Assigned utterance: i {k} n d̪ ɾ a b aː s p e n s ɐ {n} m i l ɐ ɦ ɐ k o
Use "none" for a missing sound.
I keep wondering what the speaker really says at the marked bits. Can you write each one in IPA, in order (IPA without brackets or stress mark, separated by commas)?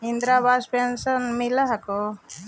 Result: none, n